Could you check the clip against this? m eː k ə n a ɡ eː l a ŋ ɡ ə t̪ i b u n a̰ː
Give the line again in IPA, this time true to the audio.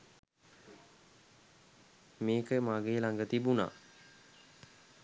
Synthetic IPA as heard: m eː k ə m a ɡ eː l a ŋ ɡ ə t̪ i b u n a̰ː